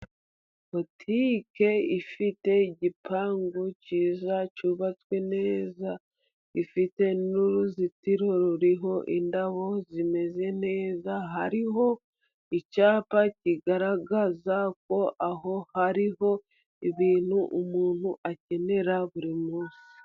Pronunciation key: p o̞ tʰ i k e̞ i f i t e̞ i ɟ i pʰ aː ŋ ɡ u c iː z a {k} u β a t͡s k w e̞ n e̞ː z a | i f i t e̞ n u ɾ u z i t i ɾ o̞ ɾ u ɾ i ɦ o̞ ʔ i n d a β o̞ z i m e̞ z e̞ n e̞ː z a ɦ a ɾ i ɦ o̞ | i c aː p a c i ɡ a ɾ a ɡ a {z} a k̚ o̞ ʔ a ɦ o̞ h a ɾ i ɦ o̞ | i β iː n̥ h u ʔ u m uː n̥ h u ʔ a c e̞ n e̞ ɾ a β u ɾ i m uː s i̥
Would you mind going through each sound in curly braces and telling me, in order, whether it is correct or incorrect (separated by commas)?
incorrect, correct